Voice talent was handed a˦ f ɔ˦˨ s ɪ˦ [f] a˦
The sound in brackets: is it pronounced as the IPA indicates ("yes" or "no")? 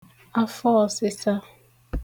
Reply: no